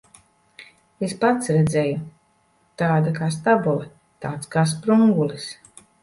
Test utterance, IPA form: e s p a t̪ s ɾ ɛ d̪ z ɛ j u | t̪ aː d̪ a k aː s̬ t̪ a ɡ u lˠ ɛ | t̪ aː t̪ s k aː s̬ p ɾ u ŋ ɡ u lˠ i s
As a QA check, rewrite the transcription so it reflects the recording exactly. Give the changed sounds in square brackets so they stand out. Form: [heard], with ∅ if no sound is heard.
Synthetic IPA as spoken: e s p a t̪ s ɾ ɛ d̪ z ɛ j u | t̪ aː d̪ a k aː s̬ t̪ a [b] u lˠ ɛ | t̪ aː t̪ s k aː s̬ p ɾ u ŋ ɡ u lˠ i s